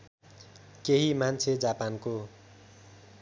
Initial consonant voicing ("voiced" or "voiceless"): voiceless